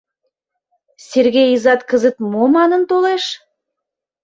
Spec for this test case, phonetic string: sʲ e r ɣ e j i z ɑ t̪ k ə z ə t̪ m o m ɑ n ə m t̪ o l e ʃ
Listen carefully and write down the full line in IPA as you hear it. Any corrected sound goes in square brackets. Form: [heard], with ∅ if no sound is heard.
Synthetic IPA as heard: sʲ e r ɣ e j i z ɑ t̪ k ə z ə t̪ m o m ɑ n ə [n] t̪ o l e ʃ